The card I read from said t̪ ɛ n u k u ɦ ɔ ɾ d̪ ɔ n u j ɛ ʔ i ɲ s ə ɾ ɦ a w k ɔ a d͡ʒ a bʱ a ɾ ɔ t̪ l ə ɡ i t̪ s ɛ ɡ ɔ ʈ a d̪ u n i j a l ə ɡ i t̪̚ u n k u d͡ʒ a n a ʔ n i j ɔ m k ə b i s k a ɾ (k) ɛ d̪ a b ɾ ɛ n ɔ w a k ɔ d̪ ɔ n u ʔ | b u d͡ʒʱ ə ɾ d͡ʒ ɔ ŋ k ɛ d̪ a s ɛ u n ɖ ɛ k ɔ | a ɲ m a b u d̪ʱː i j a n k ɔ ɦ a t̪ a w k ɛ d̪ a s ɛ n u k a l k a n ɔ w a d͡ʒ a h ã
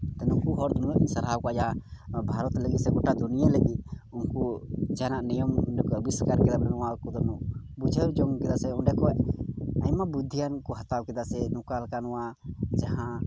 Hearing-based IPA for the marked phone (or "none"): k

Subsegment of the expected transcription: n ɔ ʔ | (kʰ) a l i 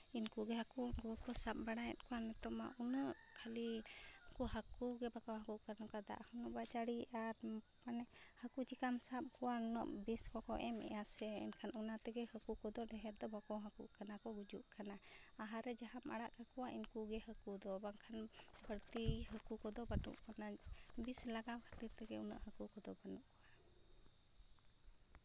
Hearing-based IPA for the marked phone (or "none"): kʰ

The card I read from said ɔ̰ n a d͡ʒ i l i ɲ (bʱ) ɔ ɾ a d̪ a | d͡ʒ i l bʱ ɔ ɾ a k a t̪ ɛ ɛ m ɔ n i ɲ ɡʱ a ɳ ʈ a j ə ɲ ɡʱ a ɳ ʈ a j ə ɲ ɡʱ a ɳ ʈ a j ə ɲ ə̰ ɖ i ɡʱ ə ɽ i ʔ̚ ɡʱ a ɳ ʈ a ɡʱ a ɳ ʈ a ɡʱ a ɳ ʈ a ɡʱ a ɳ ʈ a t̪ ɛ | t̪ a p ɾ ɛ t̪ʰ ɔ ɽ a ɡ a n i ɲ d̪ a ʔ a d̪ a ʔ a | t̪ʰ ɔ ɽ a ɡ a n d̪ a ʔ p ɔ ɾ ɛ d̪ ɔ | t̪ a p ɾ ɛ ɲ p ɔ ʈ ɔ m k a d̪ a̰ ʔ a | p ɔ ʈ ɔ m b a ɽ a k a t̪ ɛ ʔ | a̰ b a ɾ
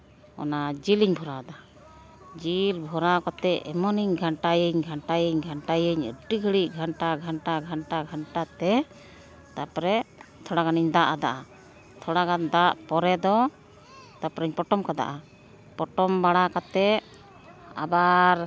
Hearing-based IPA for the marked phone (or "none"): bʱ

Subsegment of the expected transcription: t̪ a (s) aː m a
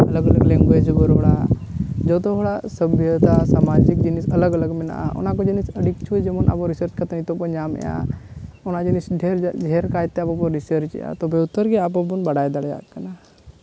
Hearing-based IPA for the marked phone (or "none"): s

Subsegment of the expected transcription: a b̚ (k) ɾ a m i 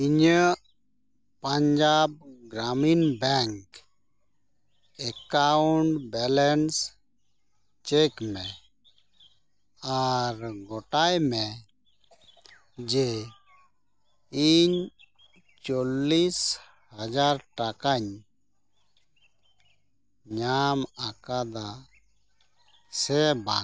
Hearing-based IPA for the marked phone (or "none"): ɡ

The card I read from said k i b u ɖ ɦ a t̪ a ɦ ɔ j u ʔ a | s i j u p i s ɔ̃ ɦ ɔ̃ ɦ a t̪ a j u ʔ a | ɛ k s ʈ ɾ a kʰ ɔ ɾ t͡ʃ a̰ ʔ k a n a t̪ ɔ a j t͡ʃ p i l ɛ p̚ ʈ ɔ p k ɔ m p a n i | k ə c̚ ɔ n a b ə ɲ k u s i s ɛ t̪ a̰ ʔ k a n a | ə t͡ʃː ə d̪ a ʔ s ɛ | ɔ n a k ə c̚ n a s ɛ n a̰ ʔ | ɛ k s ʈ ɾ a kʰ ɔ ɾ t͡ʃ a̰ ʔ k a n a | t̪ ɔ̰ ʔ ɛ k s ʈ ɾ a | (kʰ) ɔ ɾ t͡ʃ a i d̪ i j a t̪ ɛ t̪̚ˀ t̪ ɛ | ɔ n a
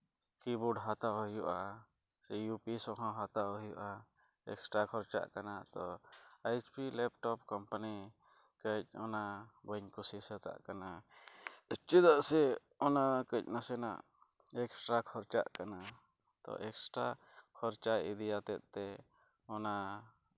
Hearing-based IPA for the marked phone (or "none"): kʰ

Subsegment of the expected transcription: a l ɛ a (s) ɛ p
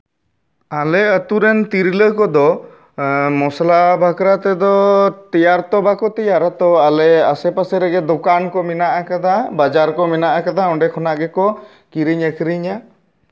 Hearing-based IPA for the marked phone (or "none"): s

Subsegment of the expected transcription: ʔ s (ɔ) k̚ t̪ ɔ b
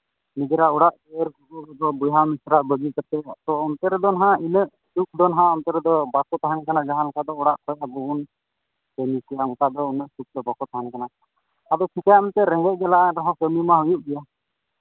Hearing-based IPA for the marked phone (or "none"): u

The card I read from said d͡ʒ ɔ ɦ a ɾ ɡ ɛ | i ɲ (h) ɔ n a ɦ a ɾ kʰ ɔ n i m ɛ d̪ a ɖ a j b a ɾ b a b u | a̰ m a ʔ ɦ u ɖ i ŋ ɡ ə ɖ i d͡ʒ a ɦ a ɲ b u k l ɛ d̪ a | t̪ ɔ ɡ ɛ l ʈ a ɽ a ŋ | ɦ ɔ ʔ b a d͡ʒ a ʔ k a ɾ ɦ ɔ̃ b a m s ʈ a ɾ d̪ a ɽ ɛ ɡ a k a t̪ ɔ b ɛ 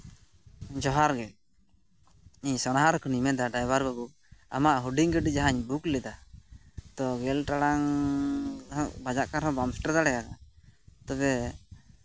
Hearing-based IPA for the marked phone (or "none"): s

